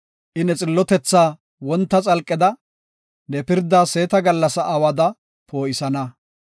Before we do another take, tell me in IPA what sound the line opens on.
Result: ʔ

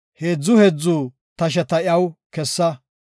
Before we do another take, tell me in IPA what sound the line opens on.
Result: h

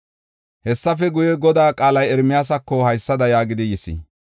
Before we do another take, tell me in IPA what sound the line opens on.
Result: h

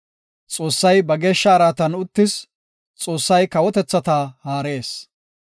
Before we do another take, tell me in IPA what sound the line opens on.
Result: t͡sʼ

